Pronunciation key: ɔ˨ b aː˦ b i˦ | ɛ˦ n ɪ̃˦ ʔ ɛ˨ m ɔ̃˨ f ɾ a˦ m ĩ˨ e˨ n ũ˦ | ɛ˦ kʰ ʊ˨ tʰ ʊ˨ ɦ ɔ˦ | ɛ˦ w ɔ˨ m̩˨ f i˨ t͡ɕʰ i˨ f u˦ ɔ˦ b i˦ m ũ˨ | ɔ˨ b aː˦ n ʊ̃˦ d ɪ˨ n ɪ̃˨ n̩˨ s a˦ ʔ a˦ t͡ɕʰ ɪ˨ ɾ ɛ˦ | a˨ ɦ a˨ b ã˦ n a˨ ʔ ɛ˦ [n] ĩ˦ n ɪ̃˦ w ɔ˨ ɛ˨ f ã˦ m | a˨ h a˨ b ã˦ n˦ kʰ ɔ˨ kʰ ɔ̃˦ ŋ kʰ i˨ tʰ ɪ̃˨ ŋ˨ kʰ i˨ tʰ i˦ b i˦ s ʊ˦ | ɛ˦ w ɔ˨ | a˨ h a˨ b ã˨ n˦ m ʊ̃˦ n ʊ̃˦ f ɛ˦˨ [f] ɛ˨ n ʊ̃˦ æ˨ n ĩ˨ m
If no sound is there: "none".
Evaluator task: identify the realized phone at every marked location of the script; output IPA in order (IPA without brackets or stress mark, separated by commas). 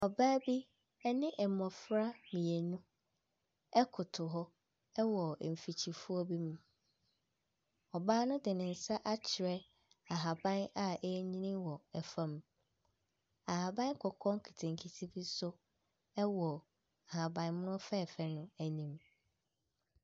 ɲ, f